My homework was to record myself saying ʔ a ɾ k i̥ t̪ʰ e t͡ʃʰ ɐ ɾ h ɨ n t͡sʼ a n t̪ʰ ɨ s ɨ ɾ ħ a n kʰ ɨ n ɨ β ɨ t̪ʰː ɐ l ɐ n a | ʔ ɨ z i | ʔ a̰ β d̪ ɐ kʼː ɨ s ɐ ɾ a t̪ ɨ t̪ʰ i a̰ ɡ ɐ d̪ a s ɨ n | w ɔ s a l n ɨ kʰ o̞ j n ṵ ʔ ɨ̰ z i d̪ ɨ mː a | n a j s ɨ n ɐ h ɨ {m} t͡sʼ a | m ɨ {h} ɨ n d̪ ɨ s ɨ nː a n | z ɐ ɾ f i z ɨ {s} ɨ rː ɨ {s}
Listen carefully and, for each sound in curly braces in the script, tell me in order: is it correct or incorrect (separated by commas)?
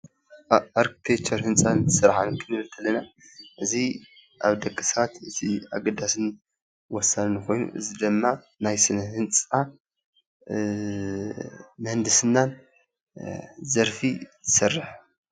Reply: incorrect, correct, correct, incorrect